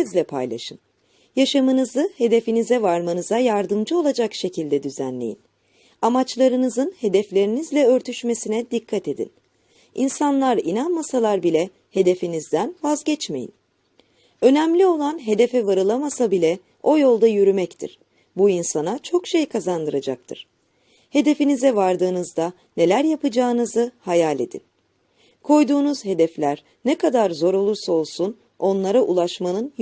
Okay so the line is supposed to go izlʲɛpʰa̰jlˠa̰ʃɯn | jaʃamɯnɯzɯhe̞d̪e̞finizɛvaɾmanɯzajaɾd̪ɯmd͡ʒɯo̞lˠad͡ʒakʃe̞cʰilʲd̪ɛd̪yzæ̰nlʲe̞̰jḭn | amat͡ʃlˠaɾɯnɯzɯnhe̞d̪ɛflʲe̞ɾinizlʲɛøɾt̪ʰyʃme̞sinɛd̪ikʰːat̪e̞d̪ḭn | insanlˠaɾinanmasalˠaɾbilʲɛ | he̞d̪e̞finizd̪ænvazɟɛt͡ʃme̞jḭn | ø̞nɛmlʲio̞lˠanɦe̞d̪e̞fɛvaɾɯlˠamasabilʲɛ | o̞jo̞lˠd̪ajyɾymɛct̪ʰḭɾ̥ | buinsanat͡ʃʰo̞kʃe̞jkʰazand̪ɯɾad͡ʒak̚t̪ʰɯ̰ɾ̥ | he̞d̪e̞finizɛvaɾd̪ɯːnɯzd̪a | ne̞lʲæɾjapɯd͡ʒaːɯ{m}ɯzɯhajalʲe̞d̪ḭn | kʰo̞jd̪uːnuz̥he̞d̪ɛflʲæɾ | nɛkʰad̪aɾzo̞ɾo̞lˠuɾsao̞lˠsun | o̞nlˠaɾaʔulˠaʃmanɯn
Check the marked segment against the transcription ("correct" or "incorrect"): incorrect